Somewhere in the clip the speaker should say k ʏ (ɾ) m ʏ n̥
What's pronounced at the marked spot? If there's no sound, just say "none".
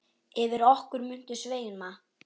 ɾ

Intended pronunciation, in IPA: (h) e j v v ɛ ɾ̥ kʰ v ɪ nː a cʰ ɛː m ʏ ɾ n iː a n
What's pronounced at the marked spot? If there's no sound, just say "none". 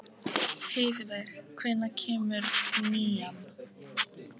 h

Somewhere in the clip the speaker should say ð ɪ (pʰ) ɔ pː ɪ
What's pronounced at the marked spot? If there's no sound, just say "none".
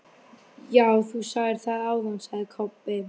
kʰ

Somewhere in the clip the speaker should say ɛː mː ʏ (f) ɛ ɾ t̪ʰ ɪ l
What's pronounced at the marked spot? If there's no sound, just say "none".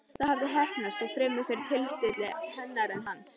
f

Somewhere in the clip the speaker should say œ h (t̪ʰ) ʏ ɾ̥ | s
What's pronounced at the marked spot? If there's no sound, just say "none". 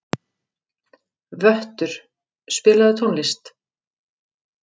t̪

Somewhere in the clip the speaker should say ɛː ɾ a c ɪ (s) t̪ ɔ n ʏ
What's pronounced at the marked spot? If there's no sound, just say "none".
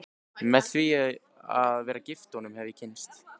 f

